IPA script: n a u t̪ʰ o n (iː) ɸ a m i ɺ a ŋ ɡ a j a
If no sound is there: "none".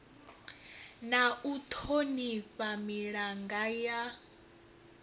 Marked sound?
i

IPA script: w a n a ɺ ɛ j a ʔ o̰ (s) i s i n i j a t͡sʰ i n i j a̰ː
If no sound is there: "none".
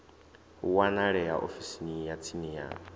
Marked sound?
f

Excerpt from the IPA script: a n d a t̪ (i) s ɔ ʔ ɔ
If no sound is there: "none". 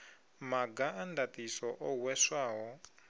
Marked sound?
i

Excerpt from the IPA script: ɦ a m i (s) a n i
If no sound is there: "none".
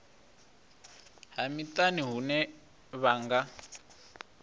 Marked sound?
t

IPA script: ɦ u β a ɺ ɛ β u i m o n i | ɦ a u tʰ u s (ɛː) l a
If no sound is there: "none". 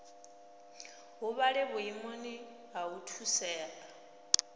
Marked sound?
ɛː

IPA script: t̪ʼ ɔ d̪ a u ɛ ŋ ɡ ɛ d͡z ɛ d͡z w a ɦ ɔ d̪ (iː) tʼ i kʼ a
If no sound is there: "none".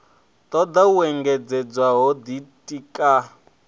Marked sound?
i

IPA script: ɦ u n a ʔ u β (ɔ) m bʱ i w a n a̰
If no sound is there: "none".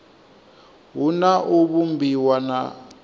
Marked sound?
u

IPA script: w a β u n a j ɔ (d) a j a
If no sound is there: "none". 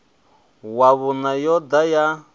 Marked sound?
d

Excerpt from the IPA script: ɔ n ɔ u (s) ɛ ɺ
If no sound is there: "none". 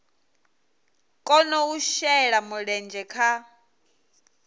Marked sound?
ʃ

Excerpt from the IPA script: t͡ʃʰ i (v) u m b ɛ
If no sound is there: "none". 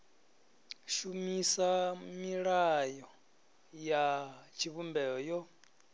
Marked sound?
β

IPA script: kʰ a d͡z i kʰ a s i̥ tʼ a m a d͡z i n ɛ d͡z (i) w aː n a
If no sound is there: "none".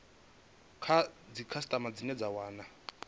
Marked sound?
a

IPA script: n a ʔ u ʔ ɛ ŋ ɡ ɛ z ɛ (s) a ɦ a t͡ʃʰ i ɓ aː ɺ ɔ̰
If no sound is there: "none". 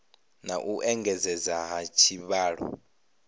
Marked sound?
z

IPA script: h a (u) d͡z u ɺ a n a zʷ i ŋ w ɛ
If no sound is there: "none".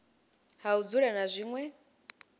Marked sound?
u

